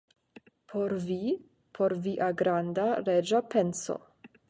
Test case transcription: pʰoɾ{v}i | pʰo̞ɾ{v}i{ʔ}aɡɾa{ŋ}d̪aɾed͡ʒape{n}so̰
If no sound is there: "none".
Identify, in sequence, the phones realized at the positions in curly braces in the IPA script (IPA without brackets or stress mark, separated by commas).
v, v, ʔ, n, n